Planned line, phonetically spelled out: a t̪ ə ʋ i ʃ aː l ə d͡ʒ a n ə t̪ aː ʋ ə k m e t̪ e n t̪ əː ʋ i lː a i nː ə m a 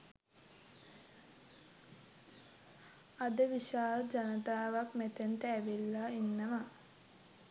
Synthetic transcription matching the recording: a d̪ ə ʋ i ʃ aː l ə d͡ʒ a n ə t̪ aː ʋ a k m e t̪ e n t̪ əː ʋ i lː a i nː ə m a